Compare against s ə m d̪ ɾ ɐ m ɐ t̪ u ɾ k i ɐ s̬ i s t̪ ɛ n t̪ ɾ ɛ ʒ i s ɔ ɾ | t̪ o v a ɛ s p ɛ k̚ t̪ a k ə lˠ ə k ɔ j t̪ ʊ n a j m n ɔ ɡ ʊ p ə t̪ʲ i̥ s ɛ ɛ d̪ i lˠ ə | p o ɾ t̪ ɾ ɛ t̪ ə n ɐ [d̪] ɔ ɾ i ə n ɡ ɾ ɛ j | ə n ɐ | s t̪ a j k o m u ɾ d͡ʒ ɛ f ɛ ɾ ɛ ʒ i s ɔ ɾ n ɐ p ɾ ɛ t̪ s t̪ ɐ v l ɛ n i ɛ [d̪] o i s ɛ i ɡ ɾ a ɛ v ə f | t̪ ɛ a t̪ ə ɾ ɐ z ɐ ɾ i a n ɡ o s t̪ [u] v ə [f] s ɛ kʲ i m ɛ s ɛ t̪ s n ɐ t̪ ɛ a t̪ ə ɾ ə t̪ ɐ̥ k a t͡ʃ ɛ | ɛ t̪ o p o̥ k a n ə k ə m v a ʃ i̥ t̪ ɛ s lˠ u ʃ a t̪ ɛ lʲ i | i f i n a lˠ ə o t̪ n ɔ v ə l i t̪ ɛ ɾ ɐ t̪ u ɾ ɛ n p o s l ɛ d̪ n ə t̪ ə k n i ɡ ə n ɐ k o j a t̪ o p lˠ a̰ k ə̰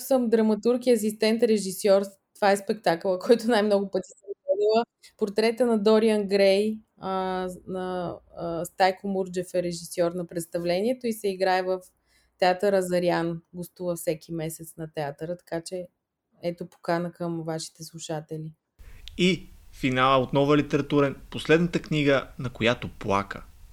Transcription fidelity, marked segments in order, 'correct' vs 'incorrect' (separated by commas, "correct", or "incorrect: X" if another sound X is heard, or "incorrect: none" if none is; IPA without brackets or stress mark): correct, incorrect: t̪, correct, correct